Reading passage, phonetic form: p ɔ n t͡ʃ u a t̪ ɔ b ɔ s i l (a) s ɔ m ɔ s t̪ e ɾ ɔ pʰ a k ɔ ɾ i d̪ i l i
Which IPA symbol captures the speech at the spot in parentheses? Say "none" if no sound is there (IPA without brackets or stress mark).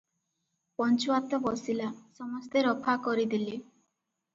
a